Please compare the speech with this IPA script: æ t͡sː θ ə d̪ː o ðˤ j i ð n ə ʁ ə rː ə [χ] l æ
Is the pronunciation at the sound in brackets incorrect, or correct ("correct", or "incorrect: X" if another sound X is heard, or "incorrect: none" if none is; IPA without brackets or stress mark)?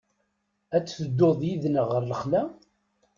correct